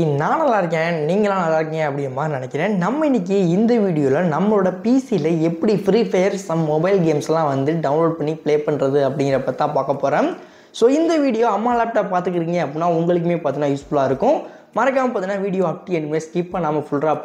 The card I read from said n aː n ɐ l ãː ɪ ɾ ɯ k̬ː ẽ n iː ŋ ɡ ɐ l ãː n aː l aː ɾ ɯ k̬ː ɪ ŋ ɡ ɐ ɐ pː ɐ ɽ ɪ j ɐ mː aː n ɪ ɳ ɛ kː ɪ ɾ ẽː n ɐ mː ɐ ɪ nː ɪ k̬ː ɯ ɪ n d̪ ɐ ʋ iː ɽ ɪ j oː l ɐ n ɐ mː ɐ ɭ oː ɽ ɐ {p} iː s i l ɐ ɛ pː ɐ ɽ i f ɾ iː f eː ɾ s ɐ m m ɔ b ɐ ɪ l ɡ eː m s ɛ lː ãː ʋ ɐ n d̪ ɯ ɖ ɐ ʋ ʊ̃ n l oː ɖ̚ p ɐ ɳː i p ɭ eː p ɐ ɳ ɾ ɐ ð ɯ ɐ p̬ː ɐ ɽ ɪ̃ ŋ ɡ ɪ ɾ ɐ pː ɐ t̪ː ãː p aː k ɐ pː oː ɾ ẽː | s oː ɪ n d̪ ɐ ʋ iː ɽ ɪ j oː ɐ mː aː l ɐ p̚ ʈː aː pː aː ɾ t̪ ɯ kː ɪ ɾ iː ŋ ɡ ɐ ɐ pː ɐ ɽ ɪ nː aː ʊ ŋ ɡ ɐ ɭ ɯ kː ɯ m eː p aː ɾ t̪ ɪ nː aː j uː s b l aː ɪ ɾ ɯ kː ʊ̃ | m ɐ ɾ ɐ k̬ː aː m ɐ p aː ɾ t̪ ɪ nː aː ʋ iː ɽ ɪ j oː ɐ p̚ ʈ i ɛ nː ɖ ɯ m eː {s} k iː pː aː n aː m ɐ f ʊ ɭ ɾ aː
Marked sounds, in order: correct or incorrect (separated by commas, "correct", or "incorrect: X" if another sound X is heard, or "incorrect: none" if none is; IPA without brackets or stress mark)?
correct, correct